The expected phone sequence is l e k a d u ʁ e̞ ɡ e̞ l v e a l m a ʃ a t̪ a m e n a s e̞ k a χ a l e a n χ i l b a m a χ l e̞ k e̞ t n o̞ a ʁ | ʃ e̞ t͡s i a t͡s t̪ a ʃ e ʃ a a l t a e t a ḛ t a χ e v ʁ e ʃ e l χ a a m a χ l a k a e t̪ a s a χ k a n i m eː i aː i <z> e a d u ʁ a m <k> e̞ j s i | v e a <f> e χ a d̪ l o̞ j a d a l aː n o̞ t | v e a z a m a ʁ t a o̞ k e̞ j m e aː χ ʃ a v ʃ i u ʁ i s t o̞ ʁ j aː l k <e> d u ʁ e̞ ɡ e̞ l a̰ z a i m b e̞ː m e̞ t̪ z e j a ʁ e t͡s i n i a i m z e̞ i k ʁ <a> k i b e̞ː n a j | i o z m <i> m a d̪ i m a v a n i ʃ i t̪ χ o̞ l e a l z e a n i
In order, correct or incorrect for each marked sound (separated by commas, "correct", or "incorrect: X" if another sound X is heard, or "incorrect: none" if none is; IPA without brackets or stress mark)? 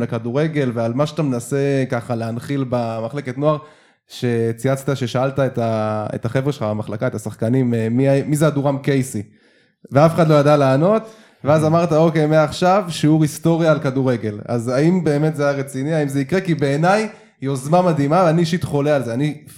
correct, correct, correct, incorrect: a, incorrect: e, incorrect: a